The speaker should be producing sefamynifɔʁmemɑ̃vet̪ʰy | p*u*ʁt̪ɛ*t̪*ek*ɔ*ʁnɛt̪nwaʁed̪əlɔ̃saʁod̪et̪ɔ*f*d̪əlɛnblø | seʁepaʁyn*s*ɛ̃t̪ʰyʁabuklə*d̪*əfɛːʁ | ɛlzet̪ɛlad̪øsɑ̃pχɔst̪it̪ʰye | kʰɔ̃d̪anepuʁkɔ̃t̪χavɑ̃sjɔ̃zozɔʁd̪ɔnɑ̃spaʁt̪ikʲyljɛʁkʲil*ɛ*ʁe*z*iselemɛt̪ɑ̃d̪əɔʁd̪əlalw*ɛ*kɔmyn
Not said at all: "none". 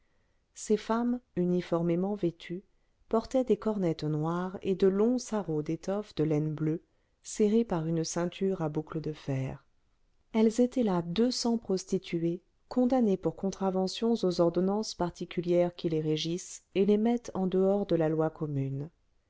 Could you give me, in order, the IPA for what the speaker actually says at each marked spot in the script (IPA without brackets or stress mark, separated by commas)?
ɔ, d̪, ɔ, f, s, d̪, e, ʒ, a